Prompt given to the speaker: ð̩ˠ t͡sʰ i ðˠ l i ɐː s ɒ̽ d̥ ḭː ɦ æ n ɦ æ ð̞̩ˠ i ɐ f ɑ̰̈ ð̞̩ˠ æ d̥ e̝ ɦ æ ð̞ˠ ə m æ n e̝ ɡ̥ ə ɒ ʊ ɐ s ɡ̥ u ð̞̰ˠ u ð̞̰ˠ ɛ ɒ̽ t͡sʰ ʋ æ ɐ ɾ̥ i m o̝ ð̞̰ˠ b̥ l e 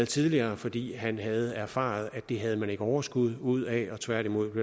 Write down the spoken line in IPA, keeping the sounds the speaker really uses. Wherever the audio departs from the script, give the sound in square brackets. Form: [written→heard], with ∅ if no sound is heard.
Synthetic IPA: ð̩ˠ t͡sʰ i ðˠ l i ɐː [s→f] ɒ̽ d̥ ḭː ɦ æ n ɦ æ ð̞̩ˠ [i→æ] ɐ f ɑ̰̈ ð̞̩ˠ æ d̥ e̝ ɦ æ ð̞ˠ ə m æ n e̝ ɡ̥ ə ɒ ʊ ɐ s ɡ̥ u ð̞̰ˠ u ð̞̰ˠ ɛ ɒ̽ t͡sʰ ʋ æ ɐ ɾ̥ i m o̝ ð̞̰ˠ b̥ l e